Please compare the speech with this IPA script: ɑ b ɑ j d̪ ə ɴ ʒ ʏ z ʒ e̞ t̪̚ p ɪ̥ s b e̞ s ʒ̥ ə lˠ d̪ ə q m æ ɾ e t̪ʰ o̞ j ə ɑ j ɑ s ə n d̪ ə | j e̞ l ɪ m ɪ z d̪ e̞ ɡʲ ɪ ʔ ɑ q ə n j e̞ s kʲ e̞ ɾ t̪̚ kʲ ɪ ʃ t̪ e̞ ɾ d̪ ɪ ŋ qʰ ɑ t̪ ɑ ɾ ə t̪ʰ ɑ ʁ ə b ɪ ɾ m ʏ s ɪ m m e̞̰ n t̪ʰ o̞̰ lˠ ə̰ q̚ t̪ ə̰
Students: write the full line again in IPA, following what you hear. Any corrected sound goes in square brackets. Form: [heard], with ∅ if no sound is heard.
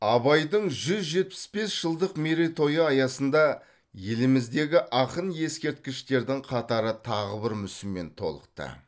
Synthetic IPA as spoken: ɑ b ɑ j d̪ ə ɴ ʒ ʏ z ʒ e̞ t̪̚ p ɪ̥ s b e̞ s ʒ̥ ə lˠ d̪ ə q m [e] ɾ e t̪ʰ o̞ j ə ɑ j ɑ s ə n d̪ [ɑ] | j e̞ l ɪ m ɪ z d̪ e̞ ɡʲ ɪ ʔ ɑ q ə n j e̞ s kʲ e̞ ɾ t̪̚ kʲ ɪ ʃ t̪ e̞ ɾ d̪ ɪ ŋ qʰ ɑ t̪ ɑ ɾ ə t̪ʰ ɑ ʁ ə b ɪ ɾ m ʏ s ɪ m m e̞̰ n t̪ʰ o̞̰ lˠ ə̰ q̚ t̪ ə̰